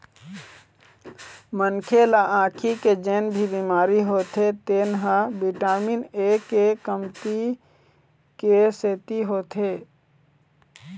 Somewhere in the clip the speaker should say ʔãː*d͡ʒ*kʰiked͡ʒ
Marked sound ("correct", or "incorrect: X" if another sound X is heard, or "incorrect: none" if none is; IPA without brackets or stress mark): incorrect: none